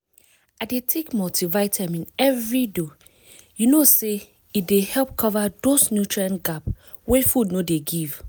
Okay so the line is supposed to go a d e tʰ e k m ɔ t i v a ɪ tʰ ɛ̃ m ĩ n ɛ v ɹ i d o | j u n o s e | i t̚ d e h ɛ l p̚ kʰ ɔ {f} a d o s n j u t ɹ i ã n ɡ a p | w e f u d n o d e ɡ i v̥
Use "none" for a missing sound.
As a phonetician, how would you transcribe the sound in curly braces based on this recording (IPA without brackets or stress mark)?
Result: v